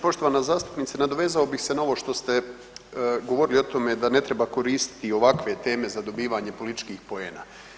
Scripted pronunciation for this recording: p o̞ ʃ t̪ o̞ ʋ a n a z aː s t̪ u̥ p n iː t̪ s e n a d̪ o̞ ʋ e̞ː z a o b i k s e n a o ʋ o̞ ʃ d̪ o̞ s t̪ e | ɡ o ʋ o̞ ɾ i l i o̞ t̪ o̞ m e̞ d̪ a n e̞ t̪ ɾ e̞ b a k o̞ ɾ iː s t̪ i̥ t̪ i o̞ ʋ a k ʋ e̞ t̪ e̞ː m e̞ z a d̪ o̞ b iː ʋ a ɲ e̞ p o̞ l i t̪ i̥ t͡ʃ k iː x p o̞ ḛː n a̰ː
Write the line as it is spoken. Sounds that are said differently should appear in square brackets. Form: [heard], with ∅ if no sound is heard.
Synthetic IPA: p o̞ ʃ t̪ o̞ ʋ a n a z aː s t̪ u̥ p n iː t̪ s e n a d̪ o̞ ʋ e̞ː z a o b i [x] s e n a o ʋ o̞ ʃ [t̪] o̞ s t̪ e | ɡ o ʋ o̞ ɾ i l i o̞ t̪ o̞ m e̞ d̪ a n e̞ t̪ ɾ e̞ b a k o̞ ɾ iː s t̪ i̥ t̪ i o̞ ʋ a k ʋ e̞ t̪ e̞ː m e̞ z a d̪ o̞ b iː ʋ a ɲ e̞ p o̞ l i t̪ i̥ t͡ʃ k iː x p o̞ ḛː n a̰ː